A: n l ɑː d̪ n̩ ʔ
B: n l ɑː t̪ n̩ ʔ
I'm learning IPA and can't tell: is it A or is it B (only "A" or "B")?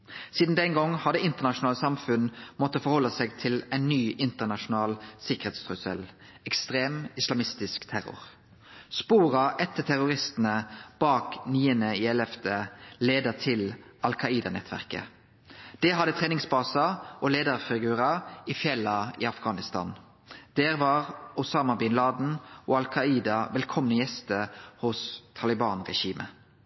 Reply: A